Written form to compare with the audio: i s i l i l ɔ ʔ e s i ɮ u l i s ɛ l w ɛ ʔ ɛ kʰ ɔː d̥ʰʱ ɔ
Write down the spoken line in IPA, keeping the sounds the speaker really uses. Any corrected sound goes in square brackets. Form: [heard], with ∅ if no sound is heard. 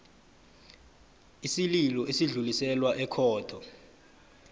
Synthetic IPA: i s i l i l ɔ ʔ e s i ɮ u l i s ɛ l w [a] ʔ ɛ kʰ ɔː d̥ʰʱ ɔ